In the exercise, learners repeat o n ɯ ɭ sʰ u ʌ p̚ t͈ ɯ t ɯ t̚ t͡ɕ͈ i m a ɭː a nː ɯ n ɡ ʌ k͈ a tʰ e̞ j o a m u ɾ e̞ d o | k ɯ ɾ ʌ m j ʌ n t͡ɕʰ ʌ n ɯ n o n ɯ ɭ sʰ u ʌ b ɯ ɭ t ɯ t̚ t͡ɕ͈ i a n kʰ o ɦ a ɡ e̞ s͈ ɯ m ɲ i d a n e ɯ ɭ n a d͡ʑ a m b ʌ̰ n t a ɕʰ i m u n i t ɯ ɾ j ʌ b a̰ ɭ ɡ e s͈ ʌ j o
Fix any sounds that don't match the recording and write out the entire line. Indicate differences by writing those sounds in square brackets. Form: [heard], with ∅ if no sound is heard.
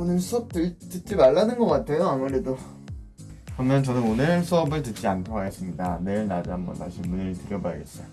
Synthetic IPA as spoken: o n ɯ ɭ sʰ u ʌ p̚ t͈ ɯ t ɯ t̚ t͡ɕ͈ i m a ɭː a [n] ɯ n ɡ ʌ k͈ a tʰ e̞ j o a m u ɾ e̞ d o | k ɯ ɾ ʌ m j ʌ n [t͡ɕ] ʌ n ɯ n o n ɯ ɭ sʰ u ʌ b ɯ ɭ t ɯ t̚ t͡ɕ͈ i a n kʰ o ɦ a ɡ e̞ s͈ ɯ m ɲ i d a n e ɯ ɭ n a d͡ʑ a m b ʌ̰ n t a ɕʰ i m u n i t ɯ ɾ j ʌ b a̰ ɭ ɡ e s͈ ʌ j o